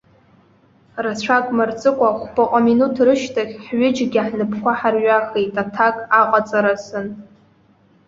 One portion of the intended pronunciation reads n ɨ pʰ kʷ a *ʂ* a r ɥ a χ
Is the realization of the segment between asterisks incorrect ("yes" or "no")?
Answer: yes